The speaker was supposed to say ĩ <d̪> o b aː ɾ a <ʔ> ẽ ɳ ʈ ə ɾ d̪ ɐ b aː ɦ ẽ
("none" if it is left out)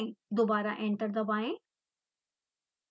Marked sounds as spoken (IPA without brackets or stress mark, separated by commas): d̪, ʔ